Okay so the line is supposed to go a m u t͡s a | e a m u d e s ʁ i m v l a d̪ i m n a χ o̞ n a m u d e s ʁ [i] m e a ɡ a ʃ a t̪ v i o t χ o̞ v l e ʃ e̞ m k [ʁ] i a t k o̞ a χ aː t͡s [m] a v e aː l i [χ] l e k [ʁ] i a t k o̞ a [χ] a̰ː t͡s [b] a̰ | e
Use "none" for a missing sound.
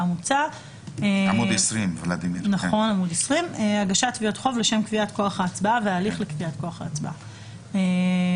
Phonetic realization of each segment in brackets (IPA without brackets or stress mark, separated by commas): i, v, b, χ, v, χ, b